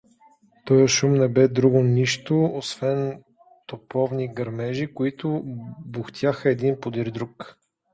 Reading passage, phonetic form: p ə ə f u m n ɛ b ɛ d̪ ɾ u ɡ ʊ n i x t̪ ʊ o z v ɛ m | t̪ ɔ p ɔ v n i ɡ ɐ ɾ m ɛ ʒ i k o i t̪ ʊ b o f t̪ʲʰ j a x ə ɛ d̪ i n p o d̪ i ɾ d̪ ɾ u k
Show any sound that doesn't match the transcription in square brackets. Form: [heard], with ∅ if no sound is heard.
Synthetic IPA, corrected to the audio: p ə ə [ʃ] u m n ɛ b ɛ d̪ ɾ u ɡ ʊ n i [ʃ] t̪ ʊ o [s] v ɛ [n] | t̪ [o] p ɔ v n i ɡ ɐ ɾ m ɛ ʒ i k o i t̪ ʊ b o [x] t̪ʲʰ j a x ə ɛ d̪ i n p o d̪ i ɾ d̪ ɾ u k